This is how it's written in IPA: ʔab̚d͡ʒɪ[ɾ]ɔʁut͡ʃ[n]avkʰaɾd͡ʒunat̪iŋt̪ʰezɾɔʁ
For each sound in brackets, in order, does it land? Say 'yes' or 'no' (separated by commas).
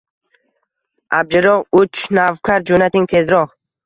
yes, yes